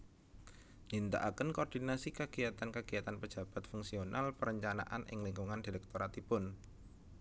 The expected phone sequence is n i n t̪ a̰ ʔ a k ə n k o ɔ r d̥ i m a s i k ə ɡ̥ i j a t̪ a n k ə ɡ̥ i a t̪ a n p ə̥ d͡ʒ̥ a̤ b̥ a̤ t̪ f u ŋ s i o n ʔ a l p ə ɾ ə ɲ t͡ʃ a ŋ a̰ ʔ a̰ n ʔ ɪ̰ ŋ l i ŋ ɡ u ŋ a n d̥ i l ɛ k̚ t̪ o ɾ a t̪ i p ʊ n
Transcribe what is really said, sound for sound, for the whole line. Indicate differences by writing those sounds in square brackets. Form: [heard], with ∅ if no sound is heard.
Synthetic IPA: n i n t̪ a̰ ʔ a k ə n k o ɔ r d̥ i [n] a s i k ə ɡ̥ i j a t̪ a n k ə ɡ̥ i a t̪ a n p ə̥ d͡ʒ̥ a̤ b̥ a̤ t̪ f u ŋ s i o n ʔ a l p ə ɾ ə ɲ t͡ʃ a [n] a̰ ʔ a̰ n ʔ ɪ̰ ŋ l i ŋ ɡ u ŋ a n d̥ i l ɛ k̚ t̪ o ɾ a t̪ i p ʊ n